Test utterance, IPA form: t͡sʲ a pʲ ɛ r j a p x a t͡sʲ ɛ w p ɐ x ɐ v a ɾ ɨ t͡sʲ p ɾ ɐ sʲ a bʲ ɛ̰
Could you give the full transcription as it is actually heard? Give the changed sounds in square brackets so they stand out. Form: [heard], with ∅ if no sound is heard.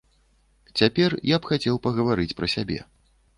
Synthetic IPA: t͡sʲ a pʲ ɛ r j a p x a t͡sʲ ɛ w p ɐ [ɣ] ɐ v a ɾ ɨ t͡sʲ p ɾ ɐ sʲ a bʲ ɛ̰

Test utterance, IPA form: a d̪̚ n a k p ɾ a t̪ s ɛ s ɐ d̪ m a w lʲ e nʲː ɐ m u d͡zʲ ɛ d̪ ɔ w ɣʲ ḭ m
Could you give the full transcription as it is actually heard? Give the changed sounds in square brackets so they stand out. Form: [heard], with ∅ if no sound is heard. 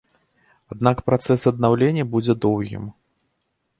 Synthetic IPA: a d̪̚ n a k p ɾ a t̪ s ɛ s ɐ d̪ [n] a w lʲ e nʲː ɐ [b] u d͡zʲ ɛ d̪ ɔ w ɣʲ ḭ m

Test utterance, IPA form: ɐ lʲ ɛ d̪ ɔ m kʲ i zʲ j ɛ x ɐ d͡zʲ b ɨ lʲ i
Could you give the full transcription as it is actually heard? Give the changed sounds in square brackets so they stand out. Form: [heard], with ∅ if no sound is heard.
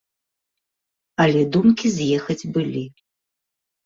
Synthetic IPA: ɐ lʲ ɛ d̪ [u] m kʲ i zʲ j ɛ x ɐ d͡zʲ b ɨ lʲ i

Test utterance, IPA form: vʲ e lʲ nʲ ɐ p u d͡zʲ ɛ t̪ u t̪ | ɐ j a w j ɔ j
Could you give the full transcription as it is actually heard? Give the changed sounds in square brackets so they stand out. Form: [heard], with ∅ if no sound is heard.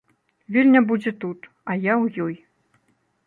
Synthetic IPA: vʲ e lʲ nʲ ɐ [b] u d͡zʲ ɛ t̪ u t̪ | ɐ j a w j ɔ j

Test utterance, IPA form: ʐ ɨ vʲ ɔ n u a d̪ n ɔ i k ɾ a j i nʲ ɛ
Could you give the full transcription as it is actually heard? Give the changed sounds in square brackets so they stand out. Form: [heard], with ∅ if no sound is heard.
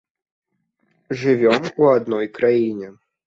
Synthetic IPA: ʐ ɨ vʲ ɔ [m] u a d̪ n ɔ [j] k ɾ a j i nʲ ɛ

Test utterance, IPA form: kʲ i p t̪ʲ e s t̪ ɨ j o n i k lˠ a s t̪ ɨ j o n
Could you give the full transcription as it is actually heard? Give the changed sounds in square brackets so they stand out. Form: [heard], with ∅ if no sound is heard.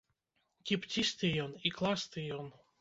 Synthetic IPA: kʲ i p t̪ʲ [i] s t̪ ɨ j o n i k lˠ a s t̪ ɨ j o n

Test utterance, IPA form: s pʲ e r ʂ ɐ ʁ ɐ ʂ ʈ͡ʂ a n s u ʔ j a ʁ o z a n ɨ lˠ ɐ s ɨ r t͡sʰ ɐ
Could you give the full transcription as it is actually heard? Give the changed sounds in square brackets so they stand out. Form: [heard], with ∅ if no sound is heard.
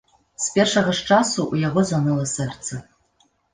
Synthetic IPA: s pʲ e r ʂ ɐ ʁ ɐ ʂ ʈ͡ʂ a [∅] s u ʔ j a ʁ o z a n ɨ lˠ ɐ s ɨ r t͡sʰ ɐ

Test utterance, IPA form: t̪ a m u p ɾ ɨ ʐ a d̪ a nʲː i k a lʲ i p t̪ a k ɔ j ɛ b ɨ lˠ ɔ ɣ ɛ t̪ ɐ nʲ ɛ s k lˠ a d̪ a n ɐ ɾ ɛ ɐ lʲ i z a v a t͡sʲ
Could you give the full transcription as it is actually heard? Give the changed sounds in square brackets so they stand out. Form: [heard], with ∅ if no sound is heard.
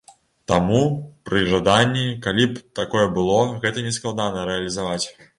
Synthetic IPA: t̪ a m u p ɾ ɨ ʐ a d̪ a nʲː i k a lʲ i p t̪ a k ɔ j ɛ b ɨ lˠ ɔ ɣ ɛ t̪ ɐ nʲ ɛ s k lˠ a d̪ a n ɐ ɾ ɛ ɐ lʲ i z a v a t͡sʲ

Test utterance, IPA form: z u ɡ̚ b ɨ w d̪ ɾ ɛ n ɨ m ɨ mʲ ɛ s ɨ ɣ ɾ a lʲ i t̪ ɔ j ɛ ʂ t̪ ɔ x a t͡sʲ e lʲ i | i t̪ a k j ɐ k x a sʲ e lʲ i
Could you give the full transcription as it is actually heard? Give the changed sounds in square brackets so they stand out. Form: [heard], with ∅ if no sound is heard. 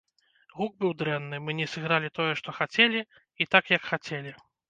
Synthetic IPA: [ɣ] u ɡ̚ b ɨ w d̪ ɾ ɛ [nː] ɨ m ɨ [nʲ] ɛ s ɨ ɣ ɾ a lʲ i t̪ ɔ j ɛ ʂ t̪ ɔ x a t͡sʲ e lʲ i | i t̪ a k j ɐ k x a [t͡sʲ] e lʲ i

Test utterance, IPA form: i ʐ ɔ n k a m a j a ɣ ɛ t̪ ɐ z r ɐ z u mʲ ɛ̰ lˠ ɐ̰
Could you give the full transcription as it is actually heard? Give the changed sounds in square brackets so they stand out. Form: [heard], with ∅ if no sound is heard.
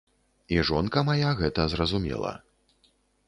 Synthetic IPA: i ʐ ɔ n k [ɐ] m a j a ɣ ɛ t̪ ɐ z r ɐ z u mʲ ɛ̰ lˠ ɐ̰

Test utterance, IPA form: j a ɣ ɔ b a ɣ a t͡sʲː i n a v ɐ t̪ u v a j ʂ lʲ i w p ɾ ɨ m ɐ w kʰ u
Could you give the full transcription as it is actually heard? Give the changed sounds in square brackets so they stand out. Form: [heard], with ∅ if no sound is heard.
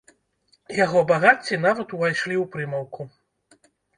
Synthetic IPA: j a ɣ ɔ b a ɣ a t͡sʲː i n a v ɐ t̪ u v a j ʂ lʲ i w p ɾ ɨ m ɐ w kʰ u

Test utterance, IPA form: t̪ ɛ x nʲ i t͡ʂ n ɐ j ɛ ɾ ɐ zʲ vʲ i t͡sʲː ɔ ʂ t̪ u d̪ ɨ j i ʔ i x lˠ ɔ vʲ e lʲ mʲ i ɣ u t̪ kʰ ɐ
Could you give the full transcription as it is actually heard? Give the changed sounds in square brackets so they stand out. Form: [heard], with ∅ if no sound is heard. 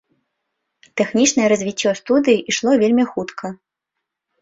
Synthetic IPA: t̪ ɛ x nʲ i t͡ʂ n ɐ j ɛ ɾ ɐ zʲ vʲ i t͡sʲː ɔ [s] t̪ u d̪ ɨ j i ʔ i [ʂ] lˠ ɔ vʲ e lʲ mʲ i [x] u t̪ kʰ ɐ

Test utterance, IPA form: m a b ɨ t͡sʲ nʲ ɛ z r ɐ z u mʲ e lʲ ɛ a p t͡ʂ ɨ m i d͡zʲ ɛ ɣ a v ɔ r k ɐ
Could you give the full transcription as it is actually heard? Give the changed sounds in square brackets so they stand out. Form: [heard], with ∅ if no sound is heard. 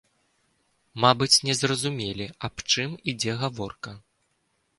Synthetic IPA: m a b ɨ t͡sʲ nʲ ɛ z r ɐ z u mʲ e lʲ [i] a p t͡ʂ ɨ m i d͡zʲ ɛ ɣ a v ɔ r k ɐ

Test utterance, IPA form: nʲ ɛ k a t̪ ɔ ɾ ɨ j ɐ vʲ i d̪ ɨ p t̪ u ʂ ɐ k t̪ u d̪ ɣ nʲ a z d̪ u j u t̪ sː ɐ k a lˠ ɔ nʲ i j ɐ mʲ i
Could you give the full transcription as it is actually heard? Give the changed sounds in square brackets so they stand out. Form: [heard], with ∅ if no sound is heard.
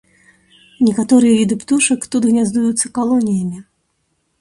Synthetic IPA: nʲ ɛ k a t̪ ɔ ɾ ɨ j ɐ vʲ i d̪ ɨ p t̪ u ʂ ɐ k t̪ u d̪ ɣ nʲ a z d̪ u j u t̪ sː ɐ k a lˠ ɔ nʲ i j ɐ mʲ i

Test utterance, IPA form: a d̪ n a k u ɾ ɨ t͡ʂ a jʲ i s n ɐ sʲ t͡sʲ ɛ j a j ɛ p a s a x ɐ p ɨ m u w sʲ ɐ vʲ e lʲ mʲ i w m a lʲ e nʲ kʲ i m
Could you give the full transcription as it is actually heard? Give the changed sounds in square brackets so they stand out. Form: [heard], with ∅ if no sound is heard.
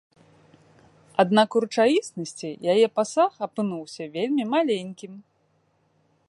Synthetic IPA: a d̪ n a k u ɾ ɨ t͡ʂ a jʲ i s n ɐ sʲ t͡sʲ [i] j a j ɛ p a s a x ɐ p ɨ [n] u w sʲ ɐ vʲ e lʲ mʲ i [∅] m a lʲ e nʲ kʲ i m

